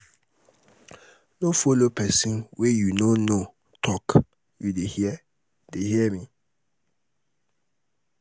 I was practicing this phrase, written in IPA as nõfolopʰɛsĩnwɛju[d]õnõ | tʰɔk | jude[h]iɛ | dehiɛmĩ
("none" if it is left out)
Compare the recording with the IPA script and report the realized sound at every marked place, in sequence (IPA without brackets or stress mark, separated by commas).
n, h